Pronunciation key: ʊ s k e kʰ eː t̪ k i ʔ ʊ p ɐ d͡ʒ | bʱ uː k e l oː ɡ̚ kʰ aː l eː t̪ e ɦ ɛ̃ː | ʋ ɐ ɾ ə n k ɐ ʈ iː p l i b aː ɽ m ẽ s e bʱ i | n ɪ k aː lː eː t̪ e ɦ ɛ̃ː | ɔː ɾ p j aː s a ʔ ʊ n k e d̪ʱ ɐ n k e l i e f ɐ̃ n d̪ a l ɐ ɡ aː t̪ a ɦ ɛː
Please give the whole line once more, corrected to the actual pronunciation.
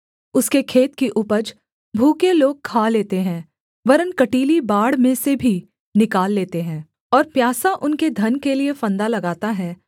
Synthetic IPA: ʊ s k e kʰ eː t̪ k i ʔ ʊ p ə d͡ʒ | bʱ uː k e l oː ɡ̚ kʰ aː l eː t̪ e ɦ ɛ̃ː | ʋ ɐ ɾ ə n k ɐ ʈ iː l i b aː ɽ m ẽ s e bʱ i | n ɪ k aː lː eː t̪ e ɦ ɛ̃ː | ɔː ɾ p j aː s a ʔ ʊ n k e d̪ʱ ɐ n k e l i e f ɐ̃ n d̪ a l ɐ ɡ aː t̪ a ɦ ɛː

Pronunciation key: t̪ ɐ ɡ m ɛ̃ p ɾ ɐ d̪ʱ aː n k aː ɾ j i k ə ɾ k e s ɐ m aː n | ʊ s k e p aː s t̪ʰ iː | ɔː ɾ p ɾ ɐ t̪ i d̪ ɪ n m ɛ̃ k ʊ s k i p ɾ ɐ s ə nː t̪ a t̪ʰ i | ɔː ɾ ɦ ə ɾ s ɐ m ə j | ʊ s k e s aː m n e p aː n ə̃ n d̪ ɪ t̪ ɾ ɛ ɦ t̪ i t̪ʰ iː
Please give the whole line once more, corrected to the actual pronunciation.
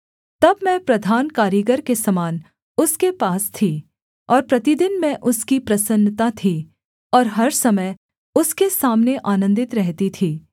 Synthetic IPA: t̪ ɐ b m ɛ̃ p ɾ ɐ d̪ʱ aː n k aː ɾ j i ɡ ə ɾ k e s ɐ m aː n | ʊ s k e p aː s t̪ʰ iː | ɔː ɾ p ɾ ɐ t̪ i d̪ ɪ n m ɛ̃ ʔ ʊ s k i p ɾ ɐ s ə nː t̪ a t̪ʰ i | ɔː ɾ ɦ ɐ ɾ s ɐ m ə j | ʊ s k e s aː m n e ʔ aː n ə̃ n d̪ ɪ t̪ ɾ ɛ ɦ t̪ i t̪ʰ iː

